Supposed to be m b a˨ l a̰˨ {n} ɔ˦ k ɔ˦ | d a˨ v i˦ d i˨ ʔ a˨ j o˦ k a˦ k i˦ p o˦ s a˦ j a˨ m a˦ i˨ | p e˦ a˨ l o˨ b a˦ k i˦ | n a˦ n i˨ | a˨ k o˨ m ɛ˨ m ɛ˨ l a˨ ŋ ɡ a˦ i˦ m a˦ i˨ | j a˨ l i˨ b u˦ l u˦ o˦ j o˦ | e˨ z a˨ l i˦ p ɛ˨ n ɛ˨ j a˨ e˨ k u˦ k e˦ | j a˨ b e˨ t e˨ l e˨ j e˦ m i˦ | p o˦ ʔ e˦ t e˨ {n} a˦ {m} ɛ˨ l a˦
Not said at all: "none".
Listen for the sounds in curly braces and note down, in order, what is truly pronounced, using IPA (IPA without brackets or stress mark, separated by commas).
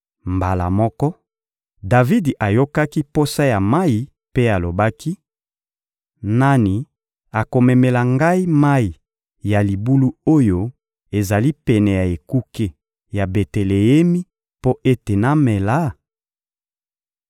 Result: m, n, m